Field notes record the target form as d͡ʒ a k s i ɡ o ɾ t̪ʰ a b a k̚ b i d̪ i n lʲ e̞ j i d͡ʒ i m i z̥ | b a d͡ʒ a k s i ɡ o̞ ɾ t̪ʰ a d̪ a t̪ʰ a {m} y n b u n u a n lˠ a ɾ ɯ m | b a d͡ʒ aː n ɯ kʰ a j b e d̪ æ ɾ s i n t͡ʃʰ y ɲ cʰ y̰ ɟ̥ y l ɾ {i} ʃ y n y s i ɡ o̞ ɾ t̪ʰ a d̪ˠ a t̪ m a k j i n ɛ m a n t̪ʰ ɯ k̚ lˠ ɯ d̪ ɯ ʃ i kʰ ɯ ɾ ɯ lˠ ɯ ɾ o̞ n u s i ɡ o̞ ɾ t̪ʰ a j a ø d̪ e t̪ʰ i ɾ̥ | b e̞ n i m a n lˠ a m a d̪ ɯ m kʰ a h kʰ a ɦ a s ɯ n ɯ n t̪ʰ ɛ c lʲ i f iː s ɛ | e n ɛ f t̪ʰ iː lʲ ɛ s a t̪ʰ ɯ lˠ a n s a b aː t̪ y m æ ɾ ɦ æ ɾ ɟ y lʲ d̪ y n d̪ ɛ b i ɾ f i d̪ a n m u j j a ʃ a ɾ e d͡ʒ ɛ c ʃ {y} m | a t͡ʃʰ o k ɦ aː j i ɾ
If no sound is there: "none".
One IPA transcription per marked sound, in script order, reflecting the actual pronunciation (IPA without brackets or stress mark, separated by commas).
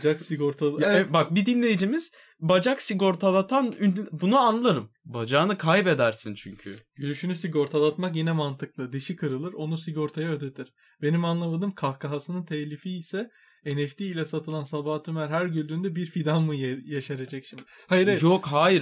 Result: n, y, i